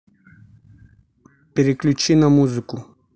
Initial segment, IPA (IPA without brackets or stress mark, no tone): p